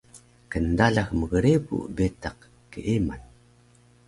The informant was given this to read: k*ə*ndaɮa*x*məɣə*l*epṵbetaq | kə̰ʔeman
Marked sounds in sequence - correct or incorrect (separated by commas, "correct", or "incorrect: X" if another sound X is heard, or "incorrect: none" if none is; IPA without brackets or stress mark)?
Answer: correct, correct, incorrect: ɾ